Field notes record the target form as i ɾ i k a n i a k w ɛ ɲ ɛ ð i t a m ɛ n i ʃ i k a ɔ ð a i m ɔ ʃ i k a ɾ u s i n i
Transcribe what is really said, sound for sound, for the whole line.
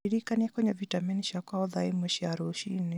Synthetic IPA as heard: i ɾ i k a n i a k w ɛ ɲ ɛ v i t a m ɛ n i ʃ a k a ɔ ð a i m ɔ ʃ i a ɾ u ʃ i n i